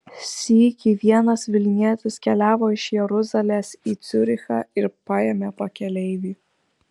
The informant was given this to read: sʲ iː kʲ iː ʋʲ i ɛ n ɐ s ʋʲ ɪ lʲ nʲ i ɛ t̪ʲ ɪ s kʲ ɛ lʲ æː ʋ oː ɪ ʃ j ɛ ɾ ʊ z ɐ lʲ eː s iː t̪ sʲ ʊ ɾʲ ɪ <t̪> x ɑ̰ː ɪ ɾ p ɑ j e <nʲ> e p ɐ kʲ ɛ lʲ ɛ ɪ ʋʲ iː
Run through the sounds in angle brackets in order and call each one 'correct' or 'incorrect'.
incorrect: none, incorrect: mʲ

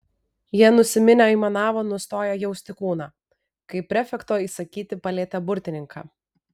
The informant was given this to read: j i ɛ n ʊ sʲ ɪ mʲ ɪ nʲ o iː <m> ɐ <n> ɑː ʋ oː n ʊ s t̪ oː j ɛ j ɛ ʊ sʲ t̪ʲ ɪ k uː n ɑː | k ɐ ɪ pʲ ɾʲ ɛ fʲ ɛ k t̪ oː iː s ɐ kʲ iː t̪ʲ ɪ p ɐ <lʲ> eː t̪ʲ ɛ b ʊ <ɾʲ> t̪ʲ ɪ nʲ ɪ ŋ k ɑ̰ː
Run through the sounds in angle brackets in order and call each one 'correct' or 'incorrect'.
correct, correct, correct, correct

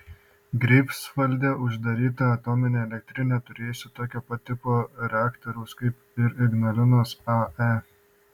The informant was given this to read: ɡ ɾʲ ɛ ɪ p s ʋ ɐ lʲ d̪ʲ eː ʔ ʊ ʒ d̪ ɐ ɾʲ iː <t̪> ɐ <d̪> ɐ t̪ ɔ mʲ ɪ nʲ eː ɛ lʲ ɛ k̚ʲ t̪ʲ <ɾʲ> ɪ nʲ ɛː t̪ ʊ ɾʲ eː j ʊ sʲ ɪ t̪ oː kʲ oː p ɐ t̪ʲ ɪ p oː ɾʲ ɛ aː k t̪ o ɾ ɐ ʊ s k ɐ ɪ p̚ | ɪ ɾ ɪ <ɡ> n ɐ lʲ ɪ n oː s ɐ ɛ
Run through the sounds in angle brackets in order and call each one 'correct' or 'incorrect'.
correct, incorrect: none, correct, correct

